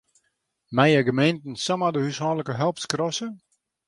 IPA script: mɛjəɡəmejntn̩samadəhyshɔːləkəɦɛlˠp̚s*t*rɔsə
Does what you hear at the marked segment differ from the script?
yes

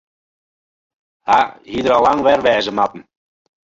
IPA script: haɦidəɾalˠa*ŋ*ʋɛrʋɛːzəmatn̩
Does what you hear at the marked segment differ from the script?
no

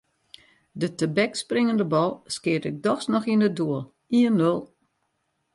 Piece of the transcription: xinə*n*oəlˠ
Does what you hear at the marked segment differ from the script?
yes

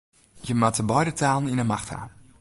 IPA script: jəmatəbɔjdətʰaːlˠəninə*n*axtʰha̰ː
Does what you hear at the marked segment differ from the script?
yes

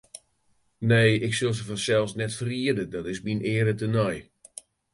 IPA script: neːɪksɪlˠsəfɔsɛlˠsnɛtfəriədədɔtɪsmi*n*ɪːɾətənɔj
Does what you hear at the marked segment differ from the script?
no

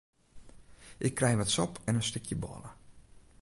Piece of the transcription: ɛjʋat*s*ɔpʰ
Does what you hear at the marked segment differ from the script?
no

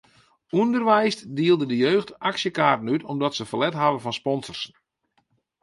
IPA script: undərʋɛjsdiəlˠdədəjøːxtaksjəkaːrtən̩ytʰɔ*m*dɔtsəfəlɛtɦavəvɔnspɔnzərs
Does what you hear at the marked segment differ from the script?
no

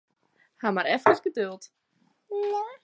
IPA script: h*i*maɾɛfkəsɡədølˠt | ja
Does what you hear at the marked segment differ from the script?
yes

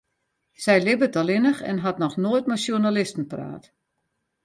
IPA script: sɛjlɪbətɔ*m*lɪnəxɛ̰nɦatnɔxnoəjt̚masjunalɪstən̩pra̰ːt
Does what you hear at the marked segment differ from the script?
yes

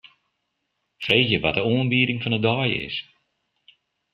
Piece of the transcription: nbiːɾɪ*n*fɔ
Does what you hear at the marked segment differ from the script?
yes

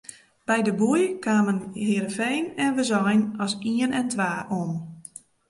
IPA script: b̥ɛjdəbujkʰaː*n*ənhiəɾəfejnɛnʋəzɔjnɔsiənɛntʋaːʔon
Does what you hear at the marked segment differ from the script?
yes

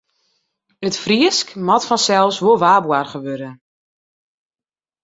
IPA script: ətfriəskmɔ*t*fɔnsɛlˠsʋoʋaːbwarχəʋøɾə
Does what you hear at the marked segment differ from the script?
no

